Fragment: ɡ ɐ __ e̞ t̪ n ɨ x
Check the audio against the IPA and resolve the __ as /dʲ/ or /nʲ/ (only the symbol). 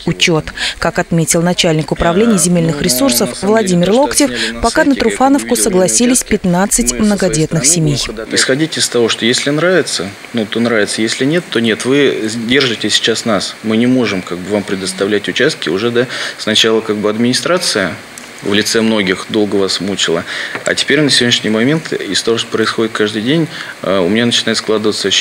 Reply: dʲ